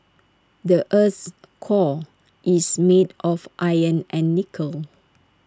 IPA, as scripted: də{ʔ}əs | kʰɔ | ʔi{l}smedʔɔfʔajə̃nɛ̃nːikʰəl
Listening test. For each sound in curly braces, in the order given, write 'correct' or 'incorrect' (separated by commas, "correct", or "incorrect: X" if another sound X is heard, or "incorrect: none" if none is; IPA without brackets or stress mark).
correct, incorrect: none